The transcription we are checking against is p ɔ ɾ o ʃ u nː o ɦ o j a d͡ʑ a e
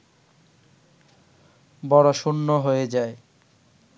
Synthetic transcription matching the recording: b ɔ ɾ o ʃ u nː o ɦ o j e d͡ʑ a e